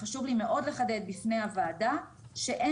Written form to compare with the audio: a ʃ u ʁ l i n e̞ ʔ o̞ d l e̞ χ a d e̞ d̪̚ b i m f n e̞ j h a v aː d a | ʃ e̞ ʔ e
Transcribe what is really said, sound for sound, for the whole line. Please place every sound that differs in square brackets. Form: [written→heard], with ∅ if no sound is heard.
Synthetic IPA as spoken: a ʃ u [ʁ→v] l i [n→m] e̞ ʔ o̞ d l e̞ χ a d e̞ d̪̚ b i [m→∅] f n e̞ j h a v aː d a | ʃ e̞ ʔ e